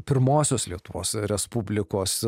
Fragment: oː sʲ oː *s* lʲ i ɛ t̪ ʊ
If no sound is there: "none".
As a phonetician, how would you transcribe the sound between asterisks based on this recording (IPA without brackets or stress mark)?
s